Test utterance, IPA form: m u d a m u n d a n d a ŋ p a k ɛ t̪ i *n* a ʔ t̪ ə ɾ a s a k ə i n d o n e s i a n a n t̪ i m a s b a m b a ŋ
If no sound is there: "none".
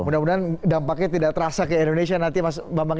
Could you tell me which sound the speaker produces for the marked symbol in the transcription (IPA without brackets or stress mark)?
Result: d